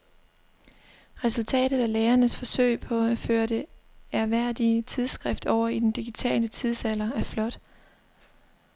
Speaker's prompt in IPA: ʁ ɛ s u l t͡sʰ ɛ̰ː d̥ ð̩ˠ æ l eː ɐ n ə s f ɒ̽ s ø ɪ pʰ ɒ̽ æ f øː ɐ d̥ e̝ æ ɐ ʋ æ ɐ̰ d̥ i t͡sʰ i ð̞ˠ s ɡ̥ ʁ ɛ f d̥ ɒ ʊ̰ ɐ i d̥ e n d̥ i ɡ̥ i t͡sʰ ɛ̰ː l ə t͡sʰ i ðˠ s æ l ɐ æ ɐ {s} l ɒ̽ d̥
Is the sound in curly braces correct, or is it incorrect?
incorrect